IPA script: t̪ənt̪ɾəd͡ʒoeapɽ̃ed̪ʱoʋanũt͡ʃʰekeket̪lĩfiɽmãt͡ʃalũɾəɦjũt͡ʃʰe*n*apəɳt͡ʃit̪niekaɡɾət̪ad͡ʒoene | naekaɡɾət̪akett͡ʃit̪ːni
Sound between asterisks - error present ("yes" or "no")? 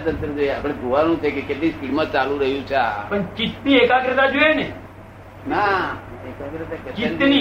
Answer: yes